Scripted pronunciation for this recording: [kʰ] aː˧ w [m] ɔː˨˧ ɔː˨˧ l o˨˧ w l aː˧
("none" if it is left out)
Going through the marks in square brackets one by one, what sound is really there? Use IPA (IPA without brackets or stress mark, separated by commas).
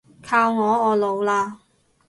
kʰ, ŋ